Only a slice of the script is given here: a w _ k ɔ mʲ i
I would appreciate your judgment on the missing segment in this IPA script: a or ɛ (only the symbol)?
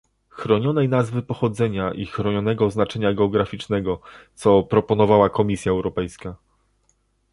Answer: a